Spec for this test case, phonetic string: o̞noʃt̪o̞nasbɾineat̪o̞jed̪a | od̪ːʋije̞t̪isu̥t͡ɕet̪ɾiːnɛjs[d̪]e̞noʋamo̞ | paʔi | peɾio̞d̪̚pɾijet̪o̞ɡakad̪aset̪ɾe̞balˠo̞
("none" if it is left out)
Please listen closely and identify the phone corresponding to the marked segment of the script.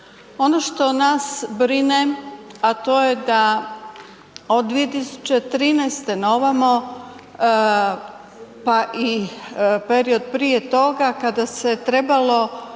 t̪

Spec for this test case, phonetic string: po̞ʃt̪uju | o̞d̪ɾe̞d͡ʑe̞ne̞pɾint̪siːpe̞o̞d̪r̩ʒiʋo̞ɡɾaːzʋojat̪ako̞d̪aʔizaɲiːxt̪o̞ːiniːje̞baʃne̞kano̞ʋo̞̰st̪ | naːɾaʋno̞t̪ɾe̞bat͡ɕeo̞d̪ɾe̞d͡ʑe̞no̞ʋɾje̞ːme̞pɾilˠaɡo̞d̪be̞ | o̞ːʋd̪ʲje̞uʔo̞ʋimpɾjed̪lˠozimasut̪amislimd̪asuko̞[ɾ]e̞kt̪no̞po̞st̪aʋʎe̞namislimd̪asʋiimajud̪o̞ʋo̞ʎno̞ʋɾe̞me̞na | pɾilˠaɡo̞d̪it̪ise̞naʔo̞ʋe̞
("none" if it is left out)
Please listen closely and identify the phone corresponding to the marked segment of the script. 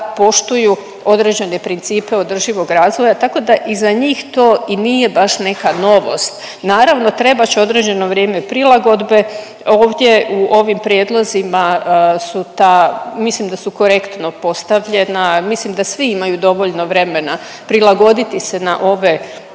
ɾ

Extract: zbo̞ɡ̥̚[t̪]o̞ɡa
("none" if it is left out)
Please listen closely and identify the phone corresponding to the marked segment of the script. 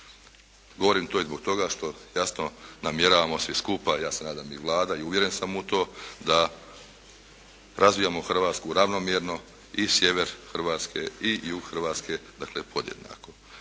t̪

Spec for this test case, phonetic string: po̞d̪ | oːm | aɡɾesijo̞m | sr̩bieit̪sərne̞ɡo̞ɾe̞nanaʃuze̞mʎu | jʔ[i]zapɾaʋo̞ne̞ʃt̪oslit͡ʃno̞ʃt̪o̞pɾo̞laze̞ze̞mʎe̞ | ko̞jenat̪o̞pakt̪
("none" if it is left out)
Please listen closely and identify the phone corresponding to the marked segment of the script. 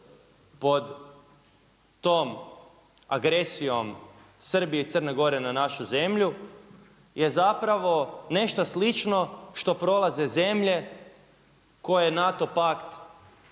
e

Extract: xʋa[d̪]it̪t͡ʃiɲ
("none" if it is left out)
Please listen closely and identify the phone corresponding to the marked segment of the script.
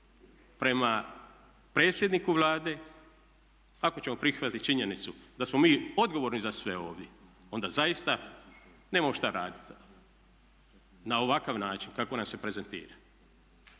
t̪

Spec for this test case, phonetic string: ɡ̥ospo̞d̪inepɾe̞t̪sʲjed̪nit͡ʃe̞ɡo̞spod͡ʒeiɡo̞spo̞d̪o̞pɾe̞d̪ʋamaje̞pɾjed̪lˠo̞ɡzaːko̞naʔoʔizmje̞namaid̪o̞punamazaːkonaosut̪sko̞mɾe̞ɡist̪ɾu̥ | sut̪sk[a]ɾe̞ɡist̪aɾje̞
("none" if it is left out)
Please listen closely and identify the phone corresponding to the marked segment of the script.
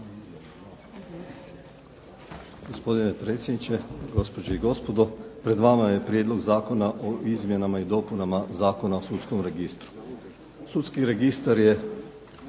i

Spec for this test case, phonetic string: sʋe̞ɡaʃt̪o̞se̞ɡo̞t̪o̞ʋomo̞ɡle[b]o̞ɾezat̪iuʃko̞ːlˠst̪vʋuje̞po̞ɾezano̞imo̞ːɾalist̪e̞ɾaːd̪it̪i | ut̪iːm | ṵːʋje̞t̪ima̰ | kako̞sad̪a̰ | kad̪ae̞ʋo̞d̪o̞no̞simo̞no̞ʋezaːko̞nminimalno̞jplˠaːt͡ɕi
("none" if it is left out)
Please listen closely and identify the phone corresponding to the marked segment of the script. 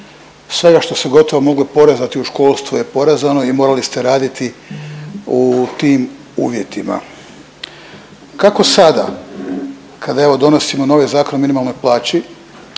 p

